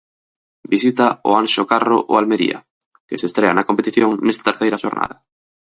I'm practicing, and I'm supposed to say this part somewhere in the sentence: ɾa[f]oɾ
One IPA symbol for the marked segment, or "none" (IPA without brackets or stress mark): ʃ